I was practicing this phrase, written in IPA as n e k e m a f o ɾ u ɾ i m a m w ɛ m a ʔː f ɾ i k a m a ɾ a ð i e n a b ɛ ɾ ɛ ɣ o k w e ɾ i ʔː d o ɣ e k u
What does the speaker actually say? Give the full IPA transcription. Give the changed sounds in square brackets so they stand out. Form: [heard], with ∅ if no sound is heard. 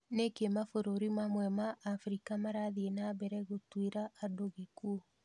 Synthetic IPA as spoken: n e k e m a f o ɾ [o] ɾ i m a m w ɛ m a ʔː f ɾ i k a m a ɾ a ð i e n a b ɛ ɾ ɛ ɣ o [t] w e ɾ [a] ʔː d o ɣ e k u